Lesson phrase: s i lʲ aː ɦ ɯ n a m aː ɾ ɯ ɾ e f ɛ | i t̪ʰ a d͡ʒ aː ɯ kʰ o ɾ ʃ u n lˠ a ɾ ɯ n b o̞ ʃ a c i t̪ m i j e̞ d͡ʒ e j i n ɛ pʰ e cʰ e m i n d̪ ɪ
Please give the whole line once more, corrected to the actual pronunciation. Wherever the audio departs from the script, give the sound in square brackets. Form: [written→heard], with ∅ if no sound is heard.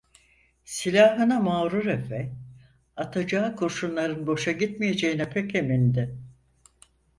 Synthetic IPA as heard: s i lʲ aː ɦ ɯ n a m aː ɾ [ɯ→u] ɾ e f ɛ | [i→a] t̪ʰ a d͡ʒ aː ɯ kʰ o ɾ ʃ u n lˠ a ɾ ɯ n b o̞ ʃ a [c→ɟ] i t̪ m i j e̞ d͡ʒ e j i n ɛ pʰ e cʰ e m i n d̪ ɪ